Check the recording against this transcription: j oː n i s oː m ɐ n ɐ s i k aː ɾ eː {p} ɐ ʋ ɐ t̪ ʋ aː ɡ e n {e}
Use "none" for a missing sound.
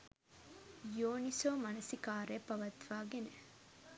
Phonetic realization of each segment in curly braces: p, e

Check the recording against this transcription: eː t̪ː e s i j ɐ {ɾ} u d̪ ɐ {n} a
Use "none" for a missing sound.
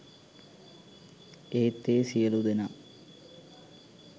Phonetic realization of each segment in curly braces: l, n

